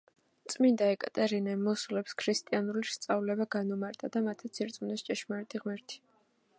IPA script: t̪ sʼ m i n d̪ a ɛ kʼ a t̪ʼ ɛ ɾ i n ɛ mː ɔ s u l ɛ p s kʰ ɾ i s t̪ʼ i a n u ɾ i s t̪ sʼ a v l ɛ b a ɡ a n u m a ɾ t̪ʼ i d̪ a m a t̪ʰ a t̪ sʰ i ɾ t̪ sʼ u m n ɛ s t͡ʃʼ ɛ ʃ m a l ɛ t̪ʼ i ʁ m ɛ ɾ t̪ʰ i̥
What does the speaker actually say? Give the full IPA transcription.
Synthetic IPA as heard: t̪ sʼ m i n d̪ a ɛ kʼ a t̪ʼ ɛ ɾ i n ɛ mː ɔ s u l ɛ p s kʰ ɾ i s t̪ʼ i a n u l i s t̪ sʼ a v l ɛ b a ɡ a n u m a ɾ t̪ʼ a d̪ a m a t̪ʰ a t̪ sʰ i ɾ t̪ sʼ u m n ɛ s t͡ʃʼ ɛ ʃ m a ɾ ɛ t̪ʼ i ʁ m ɛ ɾ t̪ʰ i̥

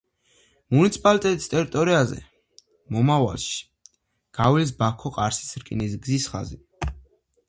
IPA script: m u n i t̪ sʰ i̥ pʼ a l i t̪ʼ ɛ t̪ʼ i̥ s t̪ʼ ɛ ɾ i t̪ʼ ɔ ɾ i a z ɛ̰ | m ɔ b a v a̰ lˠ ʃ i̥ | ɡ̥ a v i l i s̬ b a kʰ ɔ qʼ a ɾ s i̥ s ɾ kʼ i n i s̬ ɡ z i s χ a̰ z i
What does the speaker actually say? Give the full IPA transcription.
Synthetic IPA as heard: m u n i t̪ sʰ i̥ pʼ a l i t̪ʼ ɛ t̪ʼ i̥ s t̪ʼ ɛ ɾ i t̪ʼ ɔ ɾ i a z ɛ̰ | m ɔ m a v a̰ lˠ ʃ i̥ | ɡ̥ a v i l i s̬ b a kʰ ɔ qʼ a ɾ s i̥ s ɾ kʼ i n i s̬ ɡ z i s χ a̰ z i

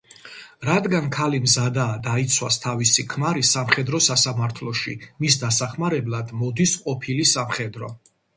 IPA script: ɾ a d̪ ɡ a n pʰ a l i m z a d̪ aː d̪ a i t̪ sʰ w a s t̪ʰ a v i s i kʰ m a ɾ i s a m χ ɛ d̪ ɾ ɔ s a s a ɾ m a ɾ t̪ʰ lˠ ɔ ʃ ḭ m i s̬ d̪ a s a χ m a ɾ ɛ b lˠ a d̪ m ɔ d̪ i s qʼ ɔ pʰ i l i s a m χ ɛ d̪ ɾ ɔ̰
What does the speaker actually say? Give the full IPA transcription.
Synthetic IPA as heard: ɾ a d̪ ɡ a n kʰ a l i m z a d̪ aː d̪ a i t̪ sʰ w a s t̪ʰ a v i s i kʰ m a ɾ i s a m χ ɛ d̪ ɾ ɔ s a s a m a ɾ t̪ʰ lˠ ɔ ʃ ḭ m i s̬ d̪ a s a χ m a ɾ ɛ b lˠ a d̪ m ɔ d̪ i s qʼ ɔ pʰ i l i s a m χ ɛ d̪ ɾ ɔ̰

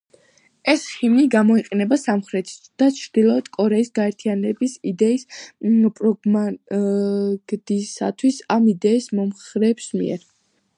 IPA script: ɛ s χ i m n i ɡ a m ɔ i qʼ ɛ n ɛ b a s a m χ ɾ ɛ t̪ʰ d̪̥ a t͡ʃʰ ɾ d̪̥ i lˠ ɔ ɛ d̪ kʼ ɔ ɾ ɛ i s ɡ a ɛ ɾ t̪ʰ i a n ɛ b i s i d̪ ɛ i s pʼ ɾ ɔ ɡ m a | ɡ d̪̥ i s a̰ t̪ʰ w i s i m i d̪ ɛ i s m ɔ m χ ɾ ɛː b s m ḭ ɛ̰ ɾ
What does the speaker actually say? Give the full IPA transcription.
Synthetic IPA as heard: ɛ s χ i m n i ɡ a m ɔ i qʼ ɛ n ɛ b a s a m χ ɾ ɛ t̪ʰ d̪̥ a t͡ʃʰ ɾ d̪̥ i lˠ ɔ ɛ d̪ kʼ ɔ ɾ ɛ i s ɡ a ɛ ɾ t̪ʰ i a n ɛ b i s i d̪ ɛ i s pʼ ɾ ɔ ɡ m a | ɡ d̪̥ i s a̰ t̪ʰ w i s a m i d̪ ɛ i s m ɔ m χ ɾ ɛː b s m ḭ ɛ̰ ɾ

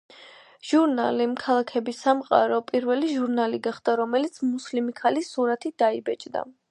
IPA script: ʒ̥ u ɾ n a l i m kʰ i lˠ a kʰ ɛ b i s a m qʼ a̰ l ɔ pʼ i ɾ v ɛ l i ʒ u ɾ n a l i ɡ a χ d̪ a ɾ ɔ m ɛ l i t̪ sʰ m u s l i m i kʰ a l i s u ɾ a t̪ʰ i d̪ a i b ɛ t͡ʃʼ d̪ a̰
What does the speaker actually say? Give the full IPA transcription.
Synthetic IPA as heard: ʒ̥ u ɾ n a l i m kʰ a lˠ a kʰ ɛ b i s a m qʼ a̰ ɾ ɔ pʼ i ɾ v ɛ l i ʒ u ɾ n a l i ɡ a χ d̪ a ɾ ɔ m ɛ l i t̪ sʰ m u s l i m i kʰ a l i s u ɾ a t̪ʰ i d̪ a i b ɛ t͡ʃʼ d̪ a̰

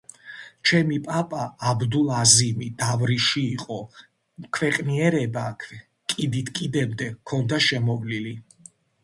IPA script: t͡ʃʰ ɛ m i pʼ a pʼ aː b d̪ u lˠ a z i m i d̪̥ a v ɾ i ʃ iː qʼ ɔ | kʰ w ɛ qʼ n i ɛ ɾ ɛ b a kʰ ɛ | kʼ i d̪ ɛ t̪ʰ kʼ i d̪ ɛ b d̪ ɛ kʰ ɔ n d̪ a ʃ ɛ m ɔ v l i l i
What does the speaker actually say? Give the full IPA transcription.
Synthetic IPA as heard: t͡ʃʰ ɛ m i pʼ a pʼ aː b d̪ u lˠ a z i m i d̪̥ a v ɾ i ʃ iː qʼ ɔ | kʰ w ɛ qʼ n i ɛ ɾ ɛ b a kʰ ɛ | kʼ i d̪ i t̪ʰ kʼ i d̪ ɛ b d̪ ɛ kʰ ɔ n d̪ a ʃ ɛ m ɔ v l i l i

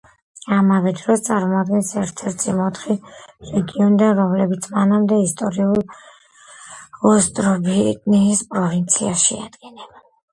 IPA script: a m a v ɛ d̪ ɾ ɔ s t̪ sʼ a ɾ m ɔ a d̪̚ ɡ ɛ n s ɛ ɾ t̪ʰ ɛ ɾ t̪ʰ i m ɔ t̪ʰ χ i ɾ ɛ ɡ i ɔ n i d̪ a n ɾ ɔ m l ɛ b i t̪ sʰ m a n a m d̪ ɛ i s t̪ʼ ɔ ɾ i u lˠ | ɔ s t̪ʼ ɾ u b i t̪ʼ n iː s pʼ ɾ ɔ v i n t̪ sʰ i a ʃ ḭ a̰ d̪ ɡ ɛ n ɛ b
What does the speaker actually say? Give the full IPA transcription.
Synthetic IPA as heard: a m a v ɛ d̪ ɾ ɔ s t̪ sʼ a ɾ m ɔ a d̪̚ ɡ ɛ n s ɛ ɾ t̪ʰ ɛ ɾ t̪ʰ i m ɔ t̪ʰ χ i ɾ ɛ ɡ i ɔ n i d̪ a n ɾ ɔ m l ɛ b i t̪ sʰ m a n a m d̪ ɛ i s t̪ʼ ɔ ɾ i u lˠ | ɔ s t̪ʼ ɾ ɔ b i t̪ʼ n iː s pʼ ɾ ɔ v i n t̪ sʰ i a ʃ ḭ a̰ d̪ ɡ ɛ n ɛ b

